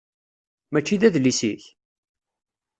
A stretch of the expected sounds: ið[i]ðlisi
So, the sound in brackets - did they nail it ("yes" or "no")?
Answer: no